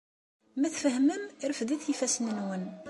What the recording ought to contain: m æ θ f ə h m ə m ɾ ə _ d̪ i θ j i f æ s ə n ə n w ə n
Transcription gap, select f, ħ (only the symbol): f